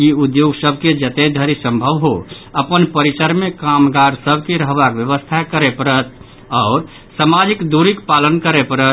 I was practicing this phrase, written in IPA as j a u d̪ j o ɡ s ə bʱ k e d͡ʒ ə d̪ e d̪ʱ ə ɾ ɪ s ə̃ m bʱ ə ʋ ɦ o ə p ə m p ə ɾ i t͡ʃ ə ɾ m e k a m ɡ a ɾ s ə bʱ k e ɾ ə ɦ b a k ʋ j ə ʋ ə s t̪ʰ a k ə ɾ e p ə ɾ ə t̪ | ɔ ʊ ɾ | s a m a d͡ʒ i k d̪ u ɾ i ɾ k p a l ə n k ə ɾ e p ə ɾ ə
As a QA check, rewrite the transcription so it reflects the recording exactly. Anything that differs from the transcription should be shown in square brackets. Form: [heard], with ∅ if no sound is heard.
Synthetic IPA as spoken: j [i] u d̪ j o ɡ s ə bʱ k e d͡ʒ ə [t̪] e d̪ʱ ə ɾ [i] s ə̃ m bʱ ə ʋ ɦ o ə p ə [n] p ə ɾ i t͡ʃ ə ɾ m e k a m ɡ a ɾ s ə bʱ k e ɾ ə ɦ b a k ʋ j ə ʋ ə s t̪ʰ a k ə ɾ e p ə ɾ ə t̪ | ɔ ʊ ɾ | s a m a d͡ʒ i k d̪ u ɾ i [∅] k p a l ə n k ə ɾ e p ə ɾ ə